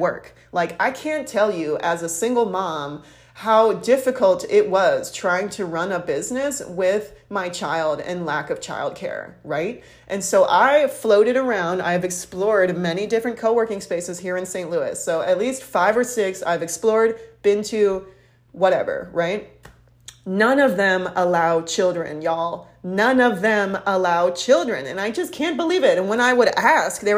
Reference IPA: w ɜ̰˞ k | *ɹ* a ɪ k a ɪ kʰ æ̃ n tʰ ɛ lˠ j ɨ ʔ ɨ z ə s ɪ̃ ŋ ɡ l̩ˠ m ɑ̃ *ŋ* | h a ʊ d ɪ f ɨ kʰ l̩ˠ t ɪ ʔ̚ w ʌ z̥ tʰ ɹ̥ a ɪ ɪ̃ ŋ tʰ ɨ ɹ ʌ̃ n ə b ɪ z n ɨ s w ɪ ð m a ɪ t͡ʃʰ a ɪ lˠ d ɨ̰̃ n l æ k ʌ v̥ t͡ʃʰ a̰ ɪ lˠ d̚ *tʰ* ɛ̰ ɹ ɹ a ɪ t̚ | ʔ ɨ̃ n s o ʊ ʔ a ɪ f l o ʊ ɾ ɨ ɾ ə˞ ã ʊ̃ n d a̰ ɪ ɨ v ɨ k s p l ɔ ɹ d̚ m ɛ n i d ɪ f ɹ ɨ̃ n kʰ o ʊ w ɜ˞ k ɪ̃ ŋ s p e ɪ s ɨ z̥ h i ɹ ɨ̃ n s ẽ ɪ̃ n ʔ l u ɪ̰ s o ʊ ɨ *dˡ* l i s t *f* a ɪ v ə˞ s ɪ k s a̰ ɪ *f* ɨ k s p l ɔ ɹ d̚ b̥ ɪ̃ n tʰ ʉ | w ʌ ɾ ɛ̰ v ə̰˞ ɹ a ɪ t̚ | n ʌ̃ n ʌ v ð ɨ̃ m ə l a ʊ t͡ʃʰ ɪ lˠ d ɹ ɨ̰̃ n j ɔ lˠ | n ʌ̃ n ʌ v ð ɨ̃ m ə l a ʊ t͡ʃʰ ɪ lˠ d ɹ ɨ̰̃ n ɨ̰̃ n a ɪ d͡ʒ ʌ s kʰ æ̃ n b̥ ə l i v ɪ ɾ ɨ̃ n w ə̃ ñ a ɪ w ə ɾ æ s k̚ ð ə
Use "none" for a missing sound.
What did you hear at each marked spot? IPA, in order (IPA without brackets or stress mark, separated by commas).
l, m, kʰ, tˡ, f, v